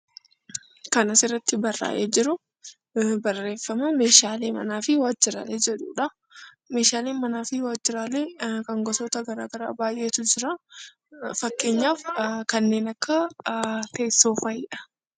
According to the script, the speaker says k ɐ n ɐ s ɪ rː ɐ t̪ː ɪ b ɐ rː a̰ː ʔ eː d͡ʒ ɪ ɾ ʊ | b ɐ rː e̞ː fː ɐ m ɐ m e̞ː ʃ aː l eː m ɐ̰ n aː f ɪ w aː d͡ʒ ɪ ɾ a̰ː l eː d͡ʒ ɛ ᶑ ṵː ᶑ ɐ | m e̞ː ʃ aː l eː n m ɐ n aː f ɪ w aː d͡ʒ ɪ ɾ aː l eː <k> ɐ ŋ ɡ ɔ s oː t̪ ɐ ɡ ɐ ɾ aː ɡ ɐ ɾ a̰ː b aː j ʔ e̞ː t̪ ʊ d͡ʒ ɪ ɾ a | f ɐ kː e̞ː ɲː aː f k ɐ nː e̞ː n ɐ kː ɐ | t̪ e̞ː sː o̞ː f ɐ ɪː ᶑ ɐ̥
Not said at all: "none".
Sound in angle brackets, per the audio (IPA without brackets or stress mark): k